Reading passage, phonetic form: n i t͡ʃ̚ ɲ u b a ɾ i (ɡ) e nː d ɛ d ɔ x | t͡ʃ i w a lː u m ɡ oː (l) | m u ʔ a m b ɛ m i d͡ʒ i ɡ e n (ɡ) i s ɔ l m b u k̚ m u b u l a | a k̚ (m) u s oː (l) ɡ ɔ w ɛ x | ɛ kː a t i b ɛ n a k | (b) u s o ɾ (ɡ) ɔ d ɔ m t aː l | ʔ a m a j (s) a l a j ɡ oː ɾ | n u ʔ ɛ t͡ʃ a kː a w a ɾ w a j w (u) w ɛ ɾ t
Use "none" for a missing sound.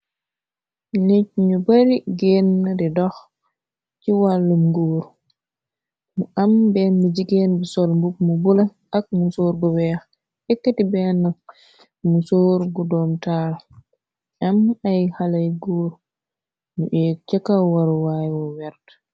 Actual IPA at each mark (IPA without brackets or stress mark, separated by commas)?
ɡ, ɾ, b, m, ɾ, m, ɡ, h, ɔ